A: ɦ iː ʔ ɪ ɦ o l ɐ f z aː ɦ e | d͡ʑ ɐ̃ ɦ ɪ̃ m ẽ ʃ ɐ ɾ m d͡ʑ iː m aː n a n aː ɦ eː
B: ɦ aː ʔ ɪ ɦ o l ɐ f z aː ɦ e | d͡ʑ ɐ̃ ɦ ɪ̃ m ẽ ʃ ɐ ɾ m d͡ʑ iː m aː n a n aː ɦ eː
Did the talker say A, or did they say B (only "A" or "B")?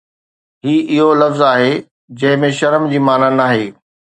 A